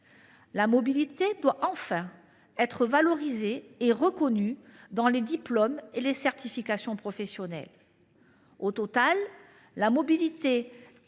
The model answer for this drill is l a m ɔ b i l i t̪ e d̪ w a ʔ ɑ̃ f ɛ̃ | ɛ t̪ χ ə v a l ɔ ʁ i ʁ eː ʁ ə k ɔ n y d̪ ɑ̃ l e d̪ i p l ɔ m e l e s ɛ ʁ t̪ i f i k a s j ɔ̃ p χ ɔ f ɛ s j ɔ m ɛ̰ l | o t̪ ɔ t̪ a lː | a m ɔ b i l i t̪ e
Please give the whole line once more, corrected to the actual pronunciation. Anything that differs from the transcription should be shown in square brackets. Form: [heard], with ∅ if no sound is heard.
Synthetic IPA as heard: l a m ɔ b i l i t̪ e d̪ w a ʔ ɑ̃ f ɛ̃ | ɛ t̪ χ ə v a l ɔ ʁ i [z] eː ʁ ə k ɔ n y d̪ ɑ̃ l e d̪ i p l ɔ m e l e s ɛ ʁ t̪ i f i k a s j ɔ̃ p χ ɔ f ɛ s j ɔ [n] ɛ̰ l | o t̪ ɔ t̪ a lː | a m ɔ b i l i t̪ e